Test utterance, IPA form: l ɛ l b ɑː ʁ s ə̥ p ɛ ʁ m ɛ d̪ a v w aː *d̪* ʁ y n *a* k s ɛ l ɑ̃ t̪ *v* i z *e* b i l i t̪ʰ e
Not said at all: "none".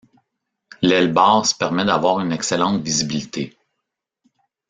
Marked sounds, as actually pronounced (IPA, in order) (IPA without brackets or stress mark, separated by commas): none, ɛ, v, i